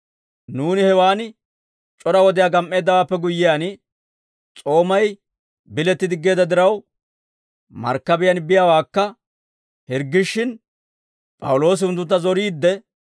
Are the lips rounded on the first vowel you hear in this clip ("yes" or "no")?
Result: yes